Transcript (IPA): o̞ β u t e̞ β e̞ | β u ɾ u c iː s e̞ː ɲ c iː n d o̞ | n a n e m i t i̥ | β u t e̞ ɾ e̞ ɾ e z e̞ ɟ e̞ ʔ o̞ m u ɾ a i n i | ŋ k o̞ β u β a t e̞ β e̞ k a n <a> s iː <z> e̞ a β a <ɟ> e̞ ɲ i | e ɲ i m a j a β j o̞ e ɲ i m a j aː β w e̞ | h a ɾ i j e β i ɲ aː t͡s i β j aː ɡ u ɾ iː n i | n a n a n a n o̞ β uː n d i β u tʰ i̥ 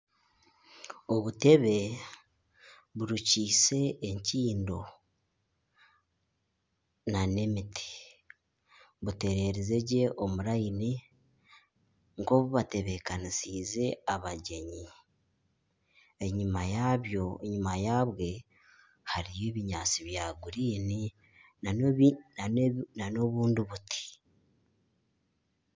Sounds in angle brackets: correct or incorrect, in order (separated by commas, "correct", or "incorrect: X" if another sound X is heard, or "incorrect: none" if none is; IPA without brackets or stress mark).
incorrect: i, correct, correct